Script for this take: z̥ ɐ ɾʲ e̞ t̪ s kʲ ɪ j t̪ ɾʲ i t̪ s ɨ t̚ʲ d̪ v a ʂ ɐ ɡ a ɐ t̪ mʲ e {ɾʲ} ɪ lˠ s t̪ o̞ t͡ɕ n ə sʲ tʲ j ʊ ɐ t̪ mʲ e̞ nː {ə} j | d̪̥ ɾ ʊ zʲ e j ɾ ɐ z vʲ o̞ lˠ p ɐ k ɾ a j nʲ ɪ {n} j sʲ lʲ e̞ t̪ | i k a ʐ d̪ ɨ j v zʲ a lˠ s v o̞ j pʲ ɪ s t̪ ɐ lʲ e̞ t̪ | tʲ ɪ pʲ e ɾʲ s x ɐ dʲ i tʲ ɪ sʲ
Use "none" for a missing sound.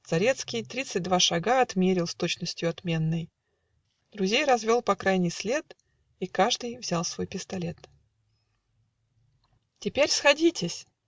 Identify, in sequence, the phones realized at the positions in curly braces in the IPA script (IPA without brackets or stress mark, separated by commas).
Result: ɾʲ, ə, none